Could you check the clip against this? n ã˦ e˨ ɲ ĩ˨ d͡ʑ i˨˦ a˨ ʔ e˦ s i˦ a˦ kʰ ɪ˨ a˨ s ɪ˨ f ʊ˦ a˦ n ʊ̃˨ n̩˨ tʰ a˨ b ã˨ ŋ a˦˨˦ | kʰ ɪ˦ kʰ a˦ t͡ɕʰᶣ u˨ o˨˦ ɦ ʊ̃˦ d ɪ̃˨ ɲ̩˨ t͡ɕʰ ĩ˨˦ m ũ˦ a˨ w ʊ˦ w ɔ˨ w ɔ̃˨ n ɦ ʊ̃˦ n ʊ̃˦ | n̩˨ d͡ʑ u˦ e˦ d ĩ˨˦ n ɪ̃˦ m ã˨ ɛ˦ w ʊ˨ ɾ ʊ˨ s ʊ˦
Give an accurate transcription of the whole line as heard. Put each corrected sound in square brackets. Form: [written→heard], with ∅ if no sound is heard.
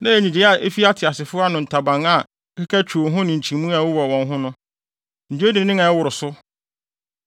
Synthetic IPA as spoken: n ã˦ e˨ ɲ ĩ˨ d͡ʑ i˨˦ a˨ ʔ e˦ [s→f] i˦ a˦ [kʰ→tʰ] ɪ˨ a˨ s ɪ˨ f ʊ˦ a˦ n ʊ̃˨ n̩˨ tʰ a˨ b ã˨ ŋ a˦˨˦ | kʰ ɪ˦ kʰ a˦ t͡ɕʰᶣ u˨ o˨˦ ɦ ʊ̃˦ [d→n] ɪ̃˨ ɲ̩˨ t͡ɕʰ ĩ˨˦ m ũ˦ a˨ w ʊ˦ w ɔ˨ w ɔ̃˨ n ɦ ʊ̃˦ n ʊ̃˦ | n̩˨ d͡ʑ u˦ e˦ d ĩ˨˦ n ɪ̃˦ [m→ŋ] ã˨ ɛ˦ w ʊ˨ ɾ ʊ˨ s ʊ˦